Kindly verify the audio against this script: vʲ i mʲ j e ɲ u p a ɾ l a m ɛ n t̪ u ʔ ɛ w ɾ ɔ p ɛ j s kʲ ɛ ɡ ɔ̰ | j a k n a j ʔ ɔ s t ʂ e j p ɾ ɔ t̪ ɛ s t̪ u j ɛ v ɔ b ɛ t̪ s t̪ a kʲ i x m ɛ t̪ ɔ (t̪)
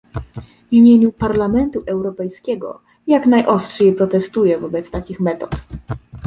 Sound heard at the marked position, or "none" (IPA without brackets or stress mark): t̪